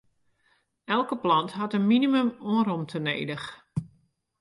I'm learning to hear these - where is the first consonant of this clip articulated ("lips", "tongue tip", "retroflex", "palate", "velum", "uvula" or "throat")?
tongue tip